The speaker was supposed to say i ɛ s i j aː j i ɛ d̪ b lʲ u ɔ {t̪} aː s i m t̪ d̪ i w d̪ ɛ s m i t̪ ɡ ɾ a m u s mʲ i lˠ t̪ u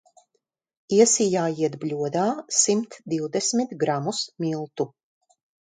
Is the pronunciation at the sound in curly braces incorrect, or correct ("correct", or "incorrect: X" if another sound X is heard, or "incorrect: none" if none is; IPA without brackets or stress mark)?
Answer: incorrect: d̪